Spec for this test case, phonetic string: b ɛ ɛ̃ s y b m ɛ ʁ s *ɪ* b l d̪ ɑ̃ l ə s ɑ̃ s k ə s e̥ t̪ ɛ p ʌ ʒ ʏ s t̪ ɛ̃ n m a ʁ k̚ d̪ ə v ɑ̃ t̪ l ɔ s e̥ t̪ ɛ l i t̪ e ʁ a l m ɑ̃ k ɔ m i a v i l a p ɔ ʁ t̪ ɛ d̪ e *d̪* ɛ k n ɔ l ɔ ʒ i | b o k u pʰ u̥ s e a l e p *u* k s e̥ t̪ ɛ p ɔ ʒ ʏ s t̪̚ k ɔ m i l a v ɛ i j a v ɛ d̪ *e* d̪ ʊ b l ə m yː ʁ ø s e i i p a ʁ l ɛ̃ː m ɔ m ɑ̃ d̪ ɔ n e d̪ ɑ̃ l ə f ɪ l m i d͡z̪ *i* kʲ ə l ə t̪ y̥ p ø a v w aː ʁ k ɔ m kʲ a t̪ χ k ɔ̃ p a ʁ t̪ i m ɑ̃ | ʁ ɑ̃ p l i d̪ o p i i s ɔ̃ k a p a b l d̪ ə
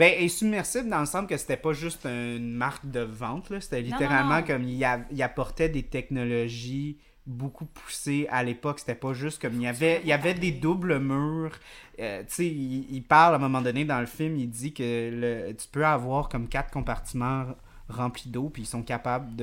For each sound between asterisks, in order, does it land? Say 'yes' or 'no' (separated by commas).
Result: yes, no, no, yes, yes